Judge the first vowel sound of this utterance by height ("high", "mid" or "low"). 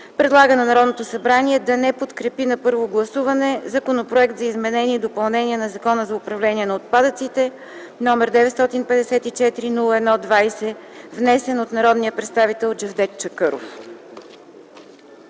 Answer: mid